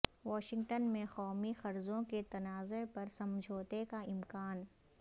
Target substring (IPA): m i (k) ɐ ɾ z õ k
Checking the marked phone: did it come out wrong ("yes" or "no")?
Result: yes